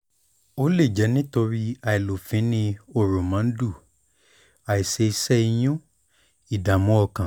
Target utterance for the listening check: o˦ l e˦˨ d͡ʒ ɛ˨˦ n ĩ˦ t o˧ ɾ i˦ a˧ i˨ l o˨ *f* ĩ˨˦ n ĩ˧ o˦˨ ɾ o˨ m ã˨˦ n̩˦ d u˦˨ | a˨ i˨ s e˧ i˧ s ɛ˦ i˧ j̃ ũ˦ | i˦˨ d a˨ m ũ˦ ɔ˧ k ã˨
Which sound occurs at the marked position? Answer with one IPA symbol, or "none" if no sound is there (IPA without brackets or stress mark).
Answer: f